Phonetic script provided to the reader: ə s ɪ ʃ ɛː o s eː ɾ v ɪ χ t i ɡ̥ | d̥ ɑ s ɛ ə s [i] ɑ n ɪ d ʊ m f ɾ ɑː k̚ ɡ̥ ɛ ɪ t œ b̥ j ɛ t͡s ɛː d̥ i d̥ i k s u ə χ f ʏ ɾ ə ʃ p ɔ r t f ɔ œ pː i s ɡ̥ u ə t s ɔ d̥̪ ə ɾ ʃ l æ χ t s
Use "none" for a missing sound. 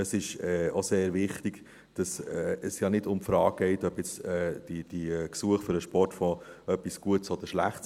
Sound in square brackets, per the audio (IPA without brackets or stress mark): j